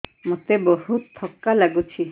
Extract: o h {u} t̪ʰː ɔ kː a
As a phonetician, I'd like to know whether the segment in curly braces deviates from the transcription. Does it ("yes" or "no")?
no